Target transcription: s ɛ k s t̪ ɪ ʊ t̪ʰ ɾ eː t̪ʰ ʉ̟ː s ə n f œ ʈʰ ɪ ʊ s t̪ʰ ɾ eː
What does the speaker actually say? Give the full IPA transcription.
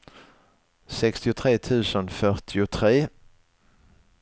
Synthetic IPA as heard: s ɛ k s t̪ ɪ ʊ t̪ʰ ɾ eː t̪ʰ ʉ̟ː s ə n f œ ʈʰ ɪ ʊ t̪ʰ ɾ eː